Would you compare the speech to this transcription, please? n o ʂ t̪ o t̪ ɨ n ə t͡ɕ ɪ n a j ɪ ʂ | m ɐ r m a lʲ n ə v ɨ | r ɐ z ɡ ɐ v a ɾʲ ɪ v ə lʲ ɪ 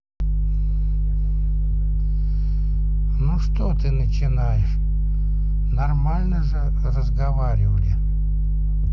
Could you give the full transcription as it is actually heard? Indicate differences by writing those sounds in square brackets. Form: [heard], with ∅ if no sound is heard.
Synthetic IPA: n [u] ʂ t̪ o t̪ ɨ n ə t͡ɕ ɪ n a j ɪ ʂ | [n] ɐ r m a lʲ n ə [ʐ] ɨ | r [ə] z ɡ ɐ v a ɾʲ ɪ v ə lʲ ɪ